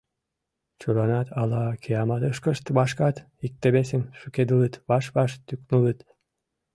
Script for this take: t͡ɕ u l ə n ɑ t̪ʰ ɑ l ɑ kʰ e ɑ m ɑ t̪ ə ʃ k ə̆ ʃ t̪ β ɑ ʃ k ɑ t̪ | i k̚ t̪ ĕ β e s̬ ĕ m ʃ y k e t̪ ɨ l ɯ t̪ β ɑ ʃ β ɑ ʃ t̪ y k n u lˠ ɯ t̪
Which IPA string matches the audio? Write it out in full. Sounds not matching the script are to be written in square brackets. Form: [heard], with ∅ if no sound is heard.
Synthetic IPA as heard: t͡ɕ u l [ɑ] n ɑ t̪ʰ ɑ l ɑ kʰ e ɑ m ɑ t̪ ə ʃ k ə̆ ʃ t̪ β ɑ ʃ k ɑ t̪ | i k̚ t̪ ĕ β e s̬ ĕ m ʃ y k e [d̪] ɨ l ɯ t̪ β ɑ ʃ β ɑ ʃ t̪ y k n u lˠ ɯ t̪